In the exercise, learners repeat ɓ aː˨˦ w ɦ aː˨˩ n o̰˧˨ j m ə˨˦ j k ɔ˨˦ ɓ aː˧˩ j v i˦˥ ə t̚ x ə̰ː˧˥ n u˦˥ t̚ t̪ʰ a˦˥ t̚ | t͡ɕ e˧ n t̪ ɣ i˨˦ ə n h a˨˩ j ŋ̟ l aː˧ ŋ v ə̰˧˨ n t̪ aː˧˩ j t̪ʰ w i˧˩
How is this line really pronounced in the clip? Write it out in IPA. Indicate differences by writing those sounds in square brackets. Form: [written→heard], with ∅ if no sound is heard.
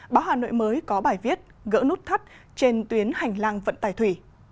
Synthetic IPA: ɓ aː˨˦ w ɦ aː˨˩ n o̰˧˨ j m [ə˨˦→əː˨˦] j k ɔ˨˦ ɓ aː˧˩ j v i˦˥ ə t̚ [x→ɣ] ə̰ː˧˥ n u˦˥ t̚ t̪ʰ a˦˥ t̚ | t͡ɕ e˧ n t̪ [ɣ→w] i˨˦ ə n h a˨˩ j ŋ̟ l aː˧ ŋ v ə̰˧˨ n t̪ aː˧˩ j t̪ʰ w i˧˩